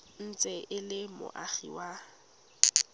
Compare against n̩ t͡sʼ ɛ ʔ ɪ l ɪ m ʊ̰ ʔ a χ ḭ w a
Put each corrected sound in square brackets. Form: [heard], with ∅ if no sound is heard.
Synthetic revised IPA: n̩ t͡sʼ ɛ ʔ ɪ l ɪ m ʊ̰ ʔ a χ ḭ w a